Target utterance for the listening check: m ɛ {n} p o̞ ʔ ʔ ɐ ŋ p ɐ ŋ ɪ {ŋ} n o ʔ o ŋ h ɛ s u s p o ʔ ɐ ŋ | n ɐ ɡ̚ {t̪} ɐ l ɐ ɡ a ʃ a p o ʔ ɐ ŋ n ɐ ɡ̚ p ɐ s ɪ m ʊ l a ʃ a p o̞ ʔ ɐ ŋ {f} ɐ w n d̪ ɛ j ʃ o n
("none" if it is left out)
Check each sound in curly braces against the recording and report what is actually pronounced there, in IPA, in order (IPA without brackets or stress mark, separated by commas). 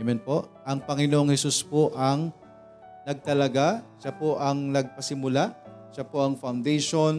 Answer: n, none, t̪, f